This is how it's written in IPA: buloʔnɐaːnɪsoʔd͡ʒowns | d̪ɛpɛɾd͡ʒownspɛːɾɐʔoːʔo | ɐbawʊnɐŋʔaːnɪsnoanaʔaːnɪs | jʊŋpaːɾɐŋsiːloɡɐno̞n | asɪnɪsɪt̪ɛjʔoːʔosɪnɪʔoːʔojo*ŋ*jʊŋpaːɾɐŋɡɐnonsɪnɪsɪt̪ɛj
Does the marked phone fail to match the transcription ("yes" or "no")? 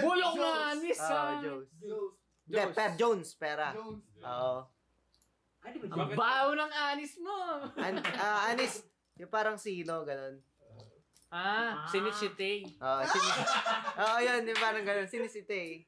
yes